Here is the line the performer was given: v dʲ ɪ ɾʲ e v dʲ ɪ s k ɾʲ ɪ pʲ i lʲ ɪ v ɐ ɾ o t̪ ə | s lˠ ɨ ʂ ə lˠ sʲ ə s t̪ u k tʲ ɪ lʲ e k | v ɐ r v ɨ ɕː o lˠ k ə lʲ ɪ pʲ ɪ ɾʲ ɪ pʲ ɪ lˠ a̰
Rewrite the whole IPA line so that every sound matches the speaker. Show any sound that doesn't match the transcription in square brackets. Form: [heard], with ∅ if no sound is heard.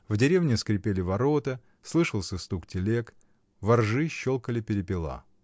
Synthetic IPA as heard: v dʲ ɪ ɾʲ e v [nʲ] ɪ s k ɾʲ ɪ pʲ [e] lʲ ɪ v ɐ ɾ o t̪ ə | s lˠ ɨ ʂ ə lˠ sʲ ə s t̪ u k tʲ ɪ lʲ e k | v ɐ r [ʐ] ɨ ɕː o lˠ k ə lʲ ɪ pʲ ɪ ɾʲ ɪ pʲ ɪ lˠ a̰